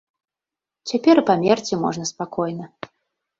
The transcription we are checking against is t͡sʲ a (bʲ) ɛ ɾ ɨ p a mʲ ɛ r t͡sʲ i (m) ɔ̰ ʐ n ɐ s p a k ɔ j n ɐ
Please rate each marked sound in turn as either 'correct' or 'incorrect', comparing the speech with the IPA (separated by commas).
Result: incorrect, correct